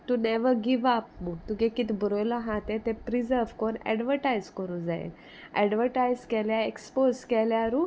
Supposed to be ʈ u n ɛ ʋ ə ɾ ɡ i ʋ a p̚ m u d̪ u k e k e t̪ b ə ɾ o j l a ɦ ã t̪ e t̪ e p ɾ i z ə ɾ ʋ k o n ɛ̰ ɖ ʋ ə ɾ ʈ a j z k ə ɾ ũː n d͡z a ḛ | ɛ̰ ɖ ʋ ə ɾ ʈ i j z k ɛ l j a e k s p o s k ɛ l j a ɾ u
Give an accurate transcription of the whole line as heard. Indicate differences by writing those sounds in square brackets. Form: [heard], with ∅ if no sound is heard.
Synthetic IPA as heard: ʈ u n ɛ ʋ ə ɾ ɡ i ʋ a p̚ m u [t̪] u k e k [i] t̪ b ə ɾ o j l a ɦ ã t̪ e t̪ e p ɾ i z ə ɾ ʋ k o n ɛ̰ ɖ ʋ ə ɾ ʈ a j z k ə ɾ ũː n d͡z a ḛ | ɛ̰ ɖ ʋ ə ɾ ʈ [a] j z k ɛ l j a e k s p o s k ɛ l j a ɾ u